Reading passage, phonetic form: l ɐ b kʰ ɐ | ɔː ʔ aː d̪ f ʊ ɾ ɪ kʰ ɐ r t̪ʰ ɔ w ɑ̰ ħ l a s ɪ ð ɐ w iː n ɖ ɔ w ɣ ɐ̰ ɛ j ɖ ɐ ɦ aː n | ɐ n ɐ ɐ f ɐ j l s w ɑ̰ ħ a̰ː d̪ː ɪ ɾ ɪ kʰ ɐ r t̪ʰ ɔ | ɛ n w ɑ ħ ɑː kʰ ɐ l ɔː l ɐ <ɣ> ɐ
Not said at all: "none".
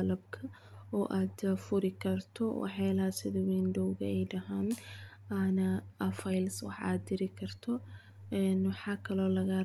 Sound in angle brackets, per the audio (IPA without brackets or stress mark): ɣ